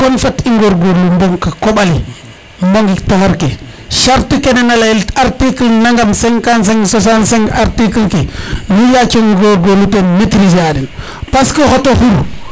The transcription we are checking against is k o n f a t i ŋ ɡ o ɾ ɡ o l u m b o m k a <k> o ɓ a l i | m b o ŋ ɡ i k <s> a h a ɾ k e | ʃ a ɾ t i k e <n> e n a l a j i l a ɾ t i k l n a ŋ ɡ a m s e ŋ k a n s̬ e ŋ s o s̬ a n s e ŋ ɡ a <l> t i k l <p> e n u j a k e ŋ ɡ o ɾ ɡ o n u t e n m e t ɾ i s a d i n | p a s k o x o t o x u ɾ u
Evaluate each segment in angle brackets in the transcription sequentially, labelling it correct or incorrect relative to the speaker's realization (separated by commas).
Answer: correct, incorrect, correct, incorrect, incorrect